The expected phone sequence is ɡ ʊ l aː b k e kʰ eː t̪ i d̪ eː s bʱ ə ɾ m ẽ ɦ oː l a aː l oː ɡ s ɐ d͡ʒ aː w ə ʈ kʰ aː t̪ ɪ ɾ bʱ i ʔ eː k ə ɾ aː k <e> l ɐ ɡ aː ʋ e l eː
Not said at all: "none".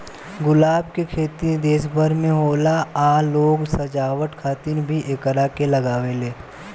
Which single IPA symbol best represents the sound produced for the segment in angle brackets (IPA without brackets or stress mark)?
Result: e